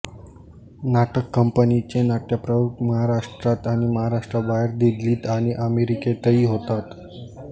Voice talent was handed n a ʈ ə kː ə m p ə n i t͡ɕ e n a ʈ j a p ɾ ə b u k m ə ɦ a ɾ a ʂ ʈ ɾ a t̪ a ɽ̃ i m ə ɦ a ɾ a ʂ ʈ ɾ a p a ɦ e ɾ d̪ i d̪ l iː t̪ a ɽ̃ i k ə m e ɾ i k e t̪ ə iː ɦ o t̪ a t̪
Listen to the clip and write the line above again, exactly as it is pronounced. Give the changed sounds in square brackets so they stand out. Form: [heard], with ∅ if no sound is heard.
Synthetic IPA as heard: n a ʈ ə kː ə m p ə n i t͡ɕ e n a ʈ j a p ɾ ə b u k m ə ɦ a ɾ a ʂ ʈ ɾ a t̪ a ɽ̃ i m ə ɦ a ɾ a ʂ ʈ ɾ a [b] a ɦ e ɾ d̪ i d̪ l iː t̪ a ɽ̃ i [ʔ] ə m e ɾ i k e t̪ ə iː ɦ o t̪ a t̪

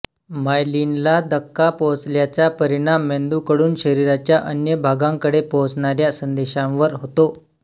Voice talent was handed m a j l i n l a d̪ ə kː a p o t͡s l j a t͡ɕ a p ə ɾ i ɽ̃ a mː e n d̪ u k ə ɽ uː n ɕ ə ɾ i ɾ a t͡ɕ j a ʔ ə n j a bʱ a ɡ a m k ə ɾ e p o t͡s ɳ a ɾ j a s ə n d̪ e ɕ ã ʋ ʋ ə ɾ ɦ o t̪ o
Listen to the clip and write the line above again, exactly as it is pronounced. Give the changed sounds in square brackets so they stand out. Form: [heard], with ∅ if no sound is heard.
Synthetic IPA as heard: m a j l i n l a d̪ ə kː a p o t͡s l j a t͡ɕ a p ə ɾ i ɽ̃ a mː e n d̪ u k ə ɽ uː n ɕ ə ɾ i ɾ a t͡ɕ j a ʔ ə n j [ə] bʱ a ɡ a [ŋ] k ə [ɽ] e p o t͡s ɳ a ɾ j a s ə n d̪ e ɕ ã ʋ ʋ ə ɾ ɦ o t̪ o

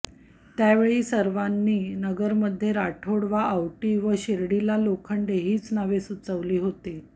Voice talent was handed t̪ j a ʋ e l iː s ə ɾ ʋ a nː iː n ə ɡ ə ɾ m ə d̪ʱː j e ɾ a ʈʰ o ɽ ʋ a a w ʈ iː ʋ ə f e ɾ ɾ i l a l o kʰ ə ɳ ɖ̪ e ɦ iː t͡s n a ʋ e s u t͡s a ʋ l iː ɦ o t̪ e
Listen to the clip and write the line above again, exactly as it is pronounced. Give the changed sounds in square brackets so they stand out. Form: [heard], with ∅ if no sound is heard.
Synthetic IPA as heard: t̪ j a ʋ e [ɭ] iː s ə ɾ ʋ a nː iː n ə ɡ ə ɾ m ə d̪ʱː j e ɾ a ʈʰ o ɽ ʋ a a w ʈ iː ʋ ə [ɕ] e ɾ [ɽ] i l a l o kʰ ə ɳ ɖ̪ e ɦ iː t͡s n a ʋ e s u t͡s [ə] ʋ l iː ɦ o t̪ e

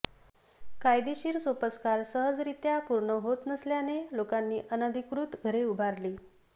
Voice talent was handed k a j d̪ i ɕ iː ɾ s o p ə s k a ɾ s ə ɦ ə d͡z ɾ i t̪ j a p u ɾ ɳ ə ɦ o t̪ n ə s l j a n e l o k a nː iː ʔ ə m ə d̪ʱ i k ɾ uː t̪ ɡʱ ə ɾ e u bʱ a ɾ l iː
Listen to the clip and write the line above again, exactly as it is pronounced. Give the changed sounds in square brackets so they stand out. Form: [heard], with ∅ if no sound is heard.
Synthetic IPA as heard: k a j d̪ i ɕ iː ɾ s o p ə s k a ɾ s ə ɦ ə d͡z ɾ i t̪ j a p u ɾ ɳ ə ɦ o t̪ n ə s l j a n e l o k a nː iː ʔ ə [n] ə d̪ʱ i k ɾ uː t̪ ɡʱ ə ɾ e u bʱ a ɾ l iː

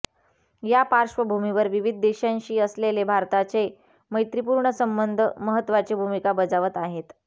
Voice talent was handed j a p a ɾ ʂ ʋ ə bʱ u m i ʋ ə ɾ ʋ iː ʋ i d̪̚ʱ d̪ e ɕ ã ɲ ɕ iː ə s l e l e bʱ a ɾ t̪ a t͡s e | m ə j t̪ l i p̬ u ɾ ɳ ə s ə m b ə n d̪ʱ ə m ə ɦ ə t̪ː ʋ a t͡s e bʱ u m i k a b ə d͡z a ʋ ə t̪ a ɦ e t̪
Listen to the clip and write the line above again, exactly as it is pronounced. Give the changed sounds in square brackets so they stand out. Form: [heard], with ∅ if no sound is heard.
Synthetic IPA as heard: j a p a ɾ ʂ ʋ ə bʱ u m i ʋ ə ɾ ʋ [i] ʋ i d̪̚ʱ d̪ e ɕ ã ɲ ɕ iː ə s l e l e bʱ a ɾ t̪ a t͡s e | m ə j t̪ [ɾ] i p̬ u ɾ ɳ ə s ə m b ə n d̪ʱ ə m ə ɦ ə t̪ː ʋ a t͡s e bʱ u m i k a b ə d͡z a ʋ ə t̪ a ɦ e t̪

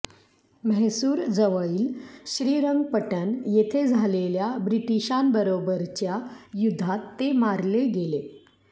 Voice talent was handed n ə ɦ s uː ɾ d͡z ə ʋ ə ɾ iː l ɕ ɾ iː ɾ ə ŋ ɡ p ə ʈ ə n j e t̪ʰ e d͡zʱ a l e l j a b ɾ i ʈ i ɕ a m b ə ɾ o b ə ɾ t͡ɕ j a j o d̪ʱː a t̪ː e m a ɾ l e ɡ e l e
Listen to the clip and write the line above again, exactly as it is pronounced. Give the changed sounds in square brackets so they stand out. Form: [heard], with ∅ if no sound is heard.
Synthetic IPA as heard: [m] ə ɦ s uː ɾ d͡z ə ʋ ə [ɭ] iː l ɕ ɾ iː ɾ ə ŋ ɡ p ə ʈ ə n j e t̪ʰ e d͡zʱ a l e l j a b ɾ i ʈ i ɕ a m b ə ɾ o b ə ɾ t͡ɕ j a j [u] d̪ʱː a t̪ː e m a ɾ l e ɡ e l e

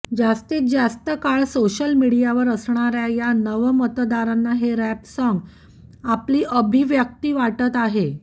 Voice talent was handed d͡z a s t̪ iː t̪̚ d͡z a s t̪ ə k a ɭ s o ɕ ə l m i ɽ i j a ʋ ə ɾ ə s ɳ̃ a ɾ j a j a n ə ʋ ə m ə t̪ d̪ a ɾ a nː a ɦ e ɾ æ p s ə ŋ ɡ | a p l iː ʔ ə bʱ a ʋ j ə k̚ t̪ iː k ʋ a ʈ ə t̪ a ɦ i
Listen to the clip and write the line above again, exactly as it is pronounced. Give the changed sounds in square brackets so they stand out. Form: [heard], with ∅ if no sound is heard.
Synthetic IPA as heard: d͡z a s t̪ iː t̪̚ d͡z a s t̪ ə k a ɭ s o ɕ ə l m i ɽ i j a ʋ ə ɾ ə s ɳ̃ a ɾ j a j a n ə ʋ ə m ə t̪ d̪ a ɾ a nː a ɦ e ɾ æ p s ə ŋ ɡ | a p l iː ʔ ə bʱ [i] ʋ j ə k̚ t̪ iː [∅] ʋ a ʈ ə t̪ a ɦ [e]

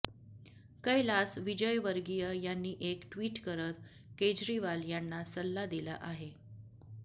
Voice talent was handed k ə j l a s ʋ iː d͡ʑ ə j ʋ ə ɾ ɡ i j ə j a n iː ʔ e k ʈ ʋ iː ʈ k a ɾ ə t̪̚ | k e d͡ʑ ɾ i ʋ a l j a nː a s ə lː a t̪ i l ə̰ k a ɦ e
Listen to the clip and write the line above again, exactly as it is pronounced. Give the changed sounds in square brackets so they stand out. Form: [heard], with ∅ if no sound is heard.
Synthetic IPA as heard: k ə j l a s ʋ [i] d͡ʑ ə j ʋ ə ɾ ɡ i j ə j a [nː] iː ʔ e k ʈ ʋ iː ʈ k [ə] ɾ ə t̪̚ | k e d͡ʑ ɾ i ʋ a l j a nː a s ə lː a [d̪] i l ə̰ [ʔ] a ɦ e

